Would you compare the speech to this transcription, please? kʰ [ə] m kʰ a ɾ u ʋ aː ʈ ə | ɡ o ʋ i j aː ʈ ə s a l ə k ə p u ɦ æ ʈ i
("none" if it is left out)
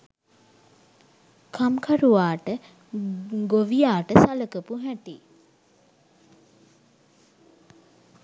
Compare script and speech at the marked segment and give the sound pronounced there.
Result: a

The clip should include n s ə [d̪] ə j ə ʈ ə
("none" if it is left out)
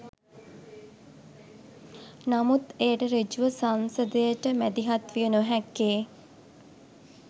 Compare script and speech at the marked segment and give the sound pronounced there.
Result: d̪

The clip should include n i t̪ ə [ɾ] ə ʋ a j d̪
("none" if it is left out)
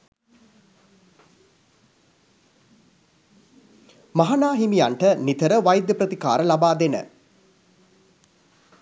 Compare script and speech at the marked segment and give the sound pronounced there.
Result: ɾ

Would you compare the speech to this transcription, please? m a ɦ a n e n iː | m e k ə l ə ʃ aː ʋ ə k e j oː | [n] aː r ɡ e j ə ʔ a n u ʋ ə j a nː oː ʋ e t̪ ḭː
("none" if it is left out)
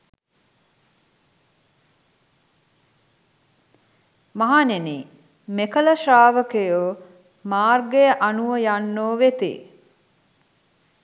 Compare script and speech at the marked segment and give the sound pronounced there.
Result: m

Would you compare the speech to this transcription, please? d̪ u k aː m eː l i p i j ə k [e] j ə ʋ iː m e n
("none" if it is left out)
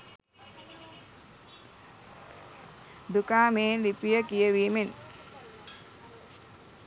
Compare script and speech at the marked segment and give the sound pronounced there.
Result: i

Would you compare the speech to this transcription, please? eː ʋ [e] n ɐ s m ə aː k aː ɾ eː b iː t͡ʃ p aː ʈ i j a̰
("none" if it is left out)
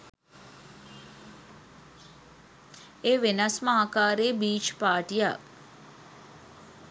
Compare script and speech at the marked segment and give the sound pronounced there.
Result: e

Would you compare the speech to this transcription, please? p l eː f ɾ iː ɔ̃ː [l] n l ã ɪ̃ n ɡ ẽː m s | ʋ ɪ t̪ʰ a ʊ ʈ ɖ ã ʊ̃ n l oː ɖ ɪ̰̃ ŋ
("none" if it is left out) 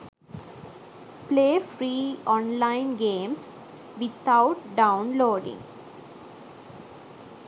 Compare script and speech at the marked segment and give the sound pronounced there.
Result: none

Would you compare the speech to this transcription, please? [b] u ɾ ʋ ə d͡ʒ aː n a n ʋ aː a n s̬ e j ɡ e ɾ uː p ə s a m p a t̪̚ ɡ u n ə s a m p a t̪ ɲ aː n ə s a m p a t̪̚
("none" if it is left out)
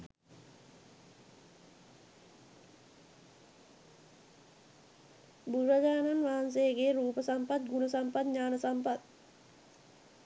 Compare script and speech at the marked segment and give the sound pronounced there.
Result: b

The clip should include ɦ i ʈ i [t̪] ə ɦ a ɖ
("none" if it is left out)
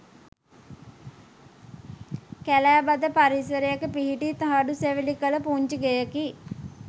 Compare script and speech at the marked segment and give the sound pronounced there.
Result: t̪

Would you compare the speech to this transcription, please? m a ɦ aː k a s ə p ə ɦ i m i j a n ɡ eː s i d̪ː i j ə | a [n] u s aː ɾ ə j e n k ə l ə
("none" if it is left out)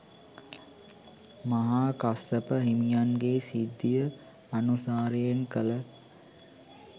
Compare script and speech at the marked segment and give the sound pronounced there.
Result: n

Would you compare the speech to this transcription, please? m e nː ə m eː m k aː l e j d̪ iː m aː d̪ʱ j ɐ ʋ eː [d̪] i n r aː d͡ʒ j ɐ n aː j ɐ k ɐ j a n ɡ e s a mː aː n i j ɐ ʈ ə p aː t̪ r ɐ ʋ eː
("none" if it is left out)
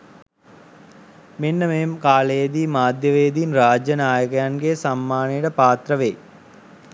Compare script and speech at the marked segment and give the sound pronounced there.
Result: d̪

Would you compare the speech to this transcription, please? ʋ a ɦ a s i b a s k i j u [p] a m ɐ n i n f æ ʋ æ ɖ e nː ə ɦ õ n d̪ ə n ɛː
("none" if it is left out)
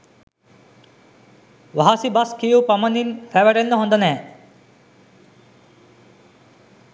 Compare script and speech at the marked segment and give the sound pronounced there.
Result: p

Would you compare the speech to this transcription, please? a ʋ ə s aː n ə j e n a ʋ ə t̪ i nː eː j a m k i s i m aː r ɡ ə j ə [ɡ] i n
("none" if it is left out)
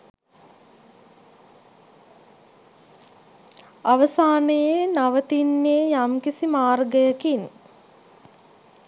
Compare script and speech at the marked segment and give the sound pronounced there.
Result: k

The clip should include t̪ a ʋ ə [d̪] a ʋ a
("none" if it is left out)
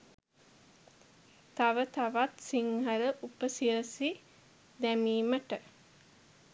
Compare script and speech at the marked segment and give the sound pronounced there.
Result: t̪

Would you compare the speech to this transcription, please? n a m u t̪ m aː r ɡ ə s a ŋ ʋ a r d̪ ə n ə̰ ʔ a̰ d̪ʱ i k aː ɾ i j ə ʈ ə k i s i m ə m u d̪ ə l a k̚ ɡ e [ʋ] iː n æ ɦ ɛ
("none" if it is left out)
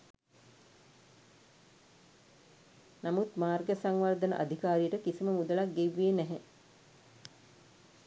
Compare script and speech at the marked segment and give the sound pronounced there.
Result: ʋː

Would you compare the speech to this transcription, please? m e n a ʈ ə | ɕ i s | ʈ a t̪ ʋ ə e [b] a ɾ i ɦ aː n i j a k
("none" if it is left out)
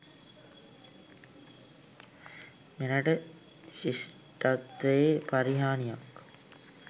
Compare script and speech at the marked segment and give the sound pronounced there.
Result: p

